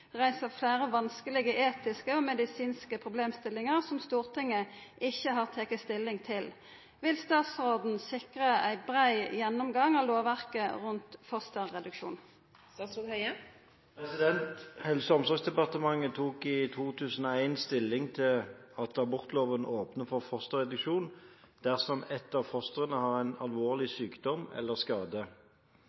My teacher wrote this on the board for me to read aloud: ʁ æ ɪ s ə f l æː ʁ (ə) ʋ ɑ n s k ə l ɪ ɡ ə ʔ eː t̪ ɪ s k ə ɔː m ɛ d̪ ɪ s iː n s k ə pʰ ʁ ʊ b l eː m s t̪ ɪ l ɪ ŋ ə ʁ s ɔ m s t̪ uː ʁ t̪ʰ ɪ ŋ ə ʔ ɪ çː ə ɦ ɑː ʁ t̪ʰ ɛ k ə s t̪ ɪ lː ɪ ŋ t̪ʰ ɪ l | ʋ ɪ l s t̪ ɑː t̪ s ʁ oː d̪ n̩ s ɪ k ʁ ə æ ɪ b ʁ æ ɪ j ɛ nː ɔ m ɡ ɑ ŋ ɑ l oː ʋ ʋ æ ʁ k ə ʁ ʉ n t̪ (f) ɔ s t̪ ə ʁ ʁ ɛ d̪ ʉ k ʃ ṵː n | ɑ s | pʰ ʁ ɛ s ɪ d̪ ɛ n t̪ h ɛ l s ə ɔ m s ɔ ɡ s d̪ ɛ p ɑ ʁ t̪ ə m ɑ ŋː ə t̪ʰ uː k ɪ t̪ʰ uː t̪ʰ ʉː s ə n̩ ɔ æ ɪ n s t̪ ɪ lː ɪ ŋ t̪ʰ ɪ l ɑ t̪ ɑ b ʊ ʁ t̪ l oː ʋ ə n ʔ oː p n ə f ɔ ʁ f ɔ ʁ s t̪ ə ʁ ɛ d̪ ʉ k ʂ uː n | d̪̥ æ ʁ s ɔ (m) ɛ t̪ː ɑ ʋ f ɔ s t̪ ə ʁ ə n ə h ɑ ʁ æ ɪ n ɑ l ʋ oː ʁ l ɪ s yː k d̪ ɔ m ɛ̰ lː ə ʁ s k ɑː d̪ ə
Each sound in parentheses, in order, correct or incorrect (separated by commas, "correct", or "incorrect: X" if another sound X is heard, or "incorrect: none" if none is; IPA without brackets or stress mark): correct, correct, correct